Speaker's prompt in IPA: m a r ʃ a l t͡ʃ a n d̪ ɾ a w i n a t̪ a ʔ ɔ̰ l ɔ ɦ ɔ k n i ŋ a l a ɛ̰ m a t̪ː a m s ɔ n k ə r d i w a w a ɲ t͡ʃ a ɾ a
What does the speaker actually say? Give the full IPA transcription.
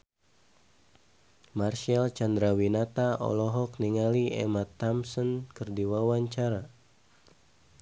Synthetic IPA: m a r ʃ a l t͡ʃ a n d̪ ɾ a w i n a t̪ a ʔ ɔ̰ l ɔ ɦ ɔ k n i ŋ a l i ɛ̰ m a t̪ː a m s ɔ n k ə r d i w a w a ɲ t͡ʃ a ɾ a